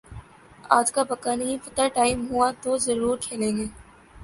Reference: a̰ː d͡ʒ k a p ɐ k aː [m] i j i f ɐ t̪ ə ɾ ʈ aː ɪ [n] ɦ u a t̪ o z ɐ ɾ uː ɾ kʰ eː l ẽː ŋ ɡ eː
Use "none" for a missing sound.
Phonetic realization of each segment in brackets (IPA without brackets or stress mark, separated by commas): n, m